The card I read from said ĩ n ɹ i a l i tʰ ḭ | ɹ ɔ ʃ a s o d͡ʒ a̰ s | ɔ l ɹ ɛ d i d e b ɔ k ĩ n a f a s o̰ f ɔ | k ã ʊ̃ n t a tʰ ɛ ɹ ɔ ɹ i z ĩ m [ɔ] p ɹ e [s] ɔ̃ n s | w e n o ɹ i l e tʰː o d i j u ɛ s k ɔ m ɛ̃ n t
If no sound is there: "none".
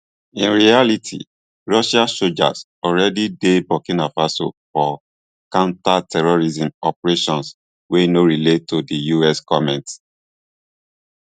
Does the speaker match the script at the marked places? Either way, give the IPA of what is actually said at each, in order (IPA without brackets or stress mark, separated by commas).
ɔ, ʃ